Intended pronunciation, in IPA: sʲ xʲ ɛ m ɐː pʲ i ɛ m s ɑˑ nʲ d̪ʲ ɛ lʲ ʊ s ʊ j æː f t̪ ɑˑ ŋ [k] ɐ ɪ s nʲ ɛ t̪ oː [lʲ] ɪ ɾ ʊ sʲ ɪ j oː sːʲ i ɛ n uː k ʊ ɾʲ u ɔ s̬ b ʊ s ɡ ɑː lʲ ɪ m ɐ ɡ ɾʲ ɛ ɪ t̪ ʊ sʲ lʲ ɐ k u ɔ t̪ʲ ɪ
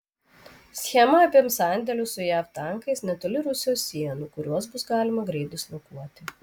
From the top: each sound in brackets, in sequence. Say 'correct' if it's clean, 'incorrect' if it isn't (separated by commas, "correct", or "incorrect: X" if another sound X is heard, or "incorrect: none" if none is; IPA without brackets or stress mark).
correct, correct